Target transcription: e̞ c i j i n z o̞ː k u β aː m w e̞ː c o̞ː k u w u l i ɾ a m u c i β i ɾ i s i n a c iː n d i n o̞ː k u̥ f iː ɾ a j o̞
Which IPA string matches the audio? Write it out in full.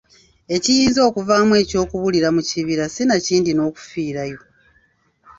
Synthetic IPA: e̞ c i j iː n z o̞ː k u v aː m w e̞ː c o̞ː k u β u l i ɾ a m u c i β i ɾ a s i n a c iː n d i n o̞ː k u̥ f iː ɾ a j o̞